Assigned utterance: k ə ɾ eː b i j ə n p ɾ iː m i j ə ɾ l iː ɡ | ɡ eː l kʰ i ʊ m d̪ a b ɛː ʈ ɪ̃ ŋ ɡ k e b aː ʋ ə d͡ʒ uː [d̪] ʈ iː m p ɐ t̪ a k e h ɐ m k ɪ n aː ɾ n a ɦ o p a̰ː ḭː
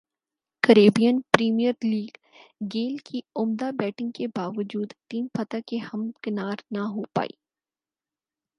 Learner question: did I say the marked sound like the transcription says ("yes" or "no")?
yes